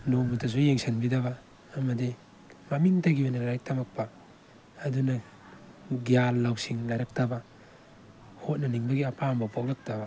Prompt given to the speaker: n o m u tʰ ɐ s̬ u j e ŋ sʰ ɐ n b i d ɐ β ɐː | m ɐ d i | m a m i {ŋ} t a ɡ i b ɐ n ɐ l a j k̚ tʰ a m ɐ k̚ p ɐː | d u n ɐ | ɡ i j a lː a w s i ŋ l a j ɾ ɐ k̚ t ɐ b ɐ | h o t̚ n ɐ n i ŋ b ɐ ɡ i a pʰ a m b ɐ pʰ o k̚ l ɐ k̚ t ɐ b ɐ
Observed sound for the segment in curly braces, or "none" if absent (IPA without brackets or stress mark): ŋ